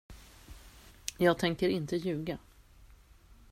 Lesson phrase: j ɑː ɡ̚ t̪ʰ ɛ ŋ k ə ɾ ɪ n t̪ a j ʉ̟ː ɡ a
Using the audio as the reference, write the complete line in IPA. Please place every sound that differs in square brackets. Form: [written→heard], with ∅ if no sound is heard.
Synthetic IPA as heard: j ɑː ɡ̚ t̪ʰ ɛ ŋ k ə ɾ ɪ n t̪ [a→ə] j ʉ̟ː ɡ a